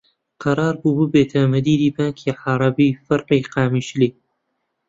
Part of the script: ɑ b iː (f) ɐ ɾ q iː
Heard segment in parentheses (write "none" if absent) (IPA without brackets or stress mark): f